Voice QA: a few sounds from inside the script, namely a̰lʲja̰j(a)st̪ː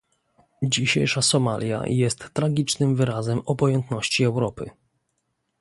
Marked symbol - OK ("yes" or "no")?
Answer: no